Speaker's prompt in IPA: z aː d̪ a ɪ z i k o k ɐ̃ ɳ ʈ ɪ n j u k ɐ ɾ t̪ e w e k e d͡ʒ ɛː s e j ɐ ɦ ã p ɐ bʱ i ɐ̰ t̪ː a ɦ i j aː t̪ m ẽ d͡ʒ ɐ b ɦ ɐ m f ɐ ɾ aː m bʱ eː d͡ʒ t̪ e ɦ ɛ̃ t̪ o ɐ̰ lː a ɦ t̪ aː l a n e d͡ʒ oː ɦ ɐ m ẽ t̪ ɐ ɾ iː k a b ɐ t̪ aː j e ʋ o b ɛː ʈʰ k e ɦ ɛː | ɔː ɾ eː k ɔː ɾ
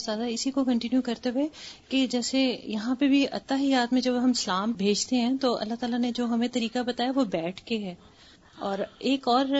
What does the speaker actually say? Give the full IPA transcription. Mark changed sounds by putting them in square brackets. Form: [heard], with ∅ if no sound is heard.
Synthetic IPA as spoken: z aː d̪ a ɪ [s] i k o k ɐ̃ ɳ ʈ ɪ n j u k ɐ ɾ t̪ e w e k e d͡ʒ ɛː s e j ɐ ɦ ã p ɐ bʱ i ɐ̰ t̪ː a ɦ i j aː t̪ m ẽ d͡ʒ ɐ b ɦ ɐ m [s] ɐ [l] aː m bʱ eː d͡ʒ t̪ e ɦ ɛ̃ t̪ o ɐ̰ lː a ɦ t̪ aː l a n e d͡ʒ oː ɦ ɐ m ẽ t̪ ɐ ɾ iː k a b ɐ t̪ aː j [a] ʋ o b ɛː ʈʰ k e ɦ ɛː | ɔː ɾ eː k ɔː ɾ